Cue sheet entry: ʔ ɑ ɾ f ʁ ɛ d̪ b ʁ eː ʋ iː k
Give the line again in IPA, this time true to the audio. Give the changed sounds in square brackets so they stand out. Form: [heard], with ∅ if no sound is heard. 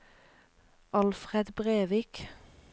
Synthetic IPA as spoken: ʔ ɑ [l] f ʁ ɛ d̪ b ʁ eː ʋ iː k